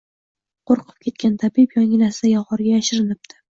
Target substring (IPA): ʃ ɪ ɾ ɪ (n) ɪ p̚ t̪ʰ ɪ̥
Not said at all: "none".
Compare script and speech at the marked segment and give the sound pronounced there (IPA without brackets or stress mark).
n